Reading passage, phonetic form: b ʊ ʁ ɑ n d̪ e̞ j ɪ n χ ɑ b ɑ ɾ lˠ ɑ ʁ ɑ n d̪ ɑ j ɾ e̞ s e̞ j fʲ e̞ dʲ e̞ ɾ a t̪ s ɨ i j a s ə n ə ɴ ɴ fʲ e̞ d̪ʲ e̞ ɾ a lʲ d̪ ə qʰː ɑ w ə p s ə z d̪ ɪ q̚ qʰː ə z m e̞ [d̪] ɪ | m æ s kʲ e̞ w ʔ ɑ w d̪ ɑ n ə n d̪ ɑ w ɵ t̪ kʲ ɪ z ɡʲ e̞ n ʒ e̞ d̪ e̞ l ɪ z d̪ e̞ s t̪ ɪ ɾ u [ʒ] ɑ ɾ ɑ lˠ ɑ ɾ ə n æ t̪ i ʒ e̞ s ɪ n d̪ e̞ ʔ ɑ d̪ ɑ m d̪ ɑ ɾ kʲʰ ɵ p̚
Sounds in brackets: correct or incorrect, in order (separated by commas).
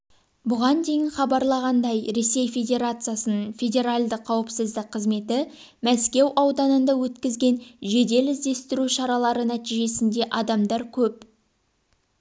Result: incorrect, incorrect